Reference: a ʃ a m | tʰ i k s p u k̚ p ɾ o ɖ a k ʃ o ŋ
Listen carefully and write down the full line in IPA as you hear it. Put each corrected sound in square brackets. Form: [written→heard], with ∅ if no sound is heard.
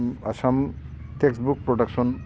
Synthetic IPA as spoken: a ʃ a m | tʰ [i→e] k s [p→b] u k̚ p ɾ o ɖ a k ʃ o [ŋ→n]